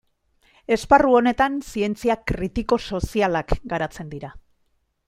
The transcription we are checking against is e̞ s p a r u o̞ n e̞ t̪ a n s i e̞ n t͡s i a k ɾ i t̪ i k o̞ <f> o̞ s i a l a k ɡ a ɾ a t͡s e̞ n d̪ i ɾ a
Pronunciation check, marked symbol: incorrect: s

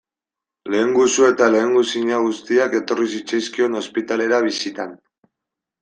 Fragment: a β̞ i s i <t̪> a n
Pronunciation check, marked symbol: correct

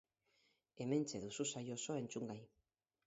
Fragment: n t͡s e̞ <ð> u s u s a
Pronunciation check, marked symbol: correct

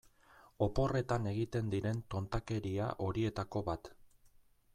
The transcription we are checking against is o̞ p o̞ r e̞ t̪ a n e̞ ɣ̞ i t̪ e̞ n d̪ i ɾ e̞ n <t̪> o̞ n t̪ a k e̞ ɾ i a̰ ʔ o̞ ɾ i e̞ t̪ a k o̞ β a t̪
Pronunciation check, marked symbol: correct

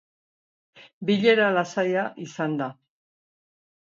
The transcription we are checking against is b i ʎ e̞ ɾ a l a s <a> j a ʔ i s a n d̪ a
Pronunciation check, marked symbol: correct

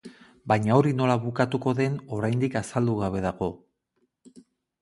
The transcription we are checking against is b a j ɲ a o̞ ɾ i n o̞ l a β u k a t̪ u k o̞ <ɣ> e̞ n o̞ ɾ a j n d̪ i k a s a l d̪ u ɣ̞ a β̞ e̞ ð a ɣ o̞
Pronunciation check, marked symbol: incorrect: ð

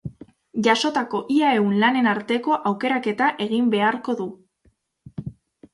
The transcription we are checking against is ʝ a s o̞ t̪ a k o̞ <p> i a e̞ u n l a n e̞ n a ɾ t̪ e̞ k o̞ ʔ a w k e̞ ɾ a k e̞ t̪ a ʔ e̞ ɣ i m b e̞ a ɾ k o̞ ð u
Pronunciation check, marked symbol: incorrect: ʔ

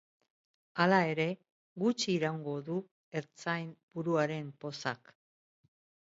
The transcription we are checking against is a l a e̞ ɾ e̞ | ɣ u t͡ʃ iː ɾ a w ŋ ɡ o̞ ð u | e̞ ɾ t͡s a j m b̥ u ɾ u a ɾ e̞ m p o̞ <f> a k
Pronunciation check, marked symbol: incorrect: s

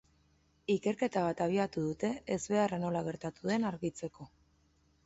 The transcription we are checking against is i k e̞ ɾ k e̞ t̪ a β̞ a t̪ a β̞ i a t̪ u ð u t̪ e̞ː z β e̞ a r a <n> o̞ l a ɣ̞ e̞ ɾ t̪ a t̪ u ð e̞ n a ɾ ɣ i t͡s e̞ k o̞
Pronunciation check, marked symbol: correct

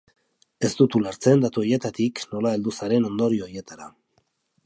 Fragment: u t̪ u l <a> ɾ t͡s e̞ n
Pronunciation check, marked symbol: correct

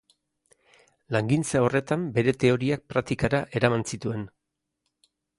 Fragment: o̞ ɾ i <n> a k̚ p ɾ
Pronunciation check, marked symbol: incorrect: none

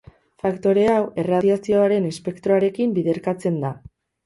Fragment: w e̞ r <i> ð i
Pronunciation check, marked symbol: incorrect: a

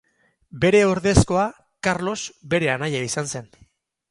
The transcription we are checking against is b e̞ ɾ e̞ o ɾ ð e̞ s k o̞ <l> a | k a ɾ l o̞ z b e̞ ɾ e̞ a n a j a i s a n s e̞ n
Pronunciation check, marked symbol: incorrect: none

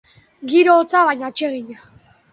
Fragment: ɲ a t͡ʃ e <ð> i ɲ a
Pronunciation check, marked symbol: incorrect: ɣ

